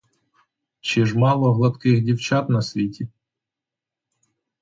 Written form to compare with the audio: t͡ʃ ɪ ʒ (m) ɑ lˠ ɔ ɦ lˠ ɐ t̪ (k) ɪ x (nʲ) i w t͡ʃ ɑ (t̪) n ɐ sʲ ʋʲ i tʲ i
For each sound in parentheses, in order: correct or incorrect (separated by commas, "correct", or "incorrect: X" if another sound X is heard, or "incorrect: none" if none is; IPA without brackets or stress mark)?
correct, correct, incorrect: dʲ, correct